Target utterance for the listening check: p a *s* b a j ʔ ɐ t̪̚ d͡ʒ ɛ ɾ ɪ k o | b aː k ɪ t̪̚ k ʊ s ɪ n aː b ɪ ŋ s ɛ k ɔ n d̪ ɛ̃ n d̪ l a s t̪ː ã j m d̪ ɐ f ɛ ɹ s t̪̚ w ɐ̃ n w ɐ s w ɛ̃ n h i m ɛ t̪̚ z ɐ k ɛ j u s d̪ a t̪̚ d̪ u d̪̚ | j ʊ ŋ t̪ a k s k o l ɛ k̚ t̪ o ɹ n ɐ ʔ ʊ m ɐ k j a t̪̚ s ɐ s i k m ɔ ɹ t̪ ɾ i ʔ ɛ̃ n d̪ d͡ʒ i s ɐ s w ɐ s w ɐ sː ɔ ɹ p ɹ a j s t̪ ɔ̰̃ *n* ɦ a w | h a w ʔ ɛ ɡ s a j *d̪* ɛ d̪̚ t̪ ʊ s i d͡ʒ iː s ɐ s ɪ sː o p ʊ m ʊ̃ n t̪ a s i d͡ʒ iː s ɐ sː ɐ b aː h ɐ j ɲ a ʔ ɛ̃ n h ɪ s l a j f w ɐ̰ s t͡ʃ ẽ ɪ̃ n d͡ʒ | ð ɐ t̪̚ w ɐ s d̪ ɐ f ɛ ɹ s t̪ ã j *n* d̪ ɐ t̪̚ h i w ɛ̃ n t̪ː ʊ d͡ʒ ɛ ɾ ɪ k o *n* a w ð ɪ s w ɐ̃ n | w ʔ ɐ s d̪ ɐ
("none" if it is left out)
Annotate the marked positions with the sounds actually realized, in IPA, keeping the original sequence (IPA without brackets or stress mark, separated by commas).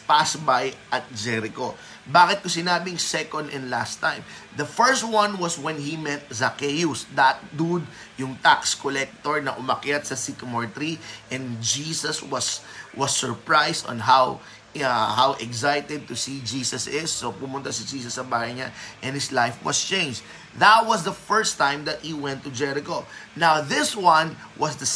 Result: s, n, t̪, m, n